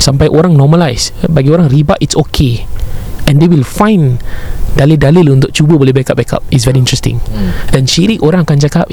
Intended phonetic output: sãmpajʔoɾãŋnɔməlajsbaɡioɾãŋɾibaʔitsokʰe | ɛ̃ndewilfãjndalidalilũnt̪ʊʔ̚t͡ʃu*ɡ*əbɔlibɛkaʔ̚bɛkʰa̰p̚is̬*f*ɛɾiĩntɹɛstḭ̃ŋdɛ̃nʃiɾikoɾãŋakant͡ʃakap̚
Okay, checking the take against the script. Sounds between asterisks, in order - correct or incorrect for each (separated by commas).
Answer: incorrect, incorrect